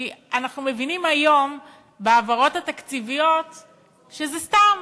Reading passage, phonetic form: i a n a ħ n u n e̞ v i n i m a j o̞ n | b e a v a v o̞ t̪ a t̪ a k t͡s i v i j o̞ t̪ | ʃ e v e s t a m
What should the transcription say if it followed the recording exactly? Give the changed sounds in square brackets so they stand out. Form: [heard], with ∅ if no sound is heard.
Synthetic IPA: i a n a [χ] n u [m] e̞ v i n i m a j o̞ [m] | b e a v a [ʁ] o̞ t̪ a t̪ a k t͡s i v i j o̞ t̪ | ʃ e [z] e s t a m